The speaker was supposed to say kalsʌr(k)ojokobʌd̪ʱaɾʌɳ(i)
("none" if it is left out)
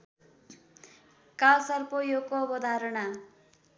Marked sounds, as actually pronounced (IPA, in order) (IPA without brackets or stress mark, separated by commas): p, a